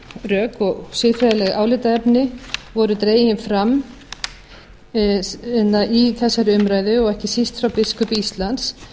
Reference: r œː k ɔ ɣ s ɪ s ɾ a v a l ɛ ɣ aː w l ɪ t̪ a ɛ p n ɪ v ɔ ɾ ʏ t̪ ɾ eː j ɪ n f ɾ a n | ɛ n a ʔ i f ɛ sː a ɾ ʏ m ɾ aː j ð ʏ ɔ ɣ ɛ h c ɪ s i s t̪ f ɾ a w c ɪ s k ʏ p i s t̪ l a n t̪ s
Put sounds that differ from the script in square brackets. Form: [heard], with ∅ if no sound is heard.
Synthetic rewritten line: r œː k ɔ ɣ s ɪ [f] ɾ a [ð] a l ɛ ɣ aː w l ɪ t̪ a ɛ p n ɪ v ɔ ɾ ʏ t̪ ɾ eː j ɪ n f ɾ a [m] | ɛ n a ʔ i [θ] ɛ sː a ɾ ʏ m ɾ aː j ð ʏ ɔ ɣ ɛ h c ɪ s i s t̪ f ɾ a w [p] ɪ s k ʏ p i s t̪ l a n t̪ s